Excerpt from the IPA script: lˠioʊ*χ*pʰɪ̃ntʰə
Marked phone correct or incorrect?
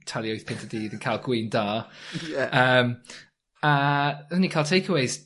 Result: incorrect